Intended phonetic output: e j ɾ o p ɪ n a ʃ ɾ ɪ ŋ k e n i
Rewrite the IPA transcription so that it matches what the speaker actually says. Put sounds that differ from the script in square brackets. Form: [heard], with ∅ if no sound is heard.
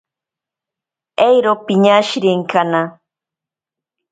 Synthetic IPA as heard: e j ɾ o p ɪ [ɲ] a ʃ ɾ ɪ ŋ k [a] n [a]